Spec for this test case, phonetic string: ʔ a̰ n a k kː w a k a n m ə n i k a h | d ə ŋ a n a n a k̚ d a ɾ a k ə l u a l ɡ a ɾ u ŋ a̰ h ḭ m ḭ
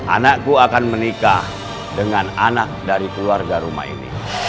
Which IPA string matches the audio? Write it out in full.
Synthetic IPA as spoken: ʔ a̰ n a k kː u a k a n m ə n i k a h | d ə ŋ a n a n a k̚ d a ɾ i k ə l u a r ɡ a ɾ u m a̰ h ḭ n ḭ